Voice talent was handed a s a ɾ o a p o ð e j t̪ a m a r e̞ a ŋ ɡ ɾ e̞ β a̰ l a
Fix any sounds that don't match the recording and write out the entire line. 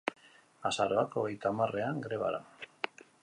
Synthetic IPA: a s a ɾ o a k o ɣ e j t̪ a m a r e̞ a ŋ ɡ ɾ e̞ β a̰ ɾ a